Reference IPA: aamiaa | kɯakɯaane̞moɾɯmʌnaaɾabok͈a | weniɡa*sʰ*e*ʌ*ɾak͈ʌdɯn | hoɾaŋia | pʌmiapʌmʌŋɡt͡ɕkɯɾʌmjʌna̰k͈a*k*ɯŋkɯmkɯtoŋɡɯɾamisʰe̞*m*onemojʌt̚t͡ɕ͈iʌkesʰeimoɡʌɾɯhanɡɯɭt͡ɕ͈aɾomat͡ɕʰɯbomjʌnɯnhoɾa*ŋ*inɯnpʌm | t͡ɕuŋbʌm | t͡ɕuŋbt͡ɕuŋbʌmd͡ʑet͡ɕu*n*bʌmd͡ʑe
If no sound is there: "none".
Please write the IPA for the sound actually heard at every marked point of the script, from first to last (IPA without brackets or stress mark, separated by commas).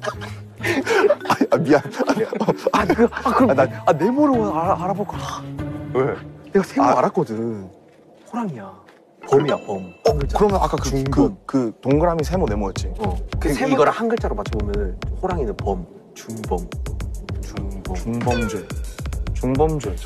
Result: sʰ, a, k, m, ŋ, ŋ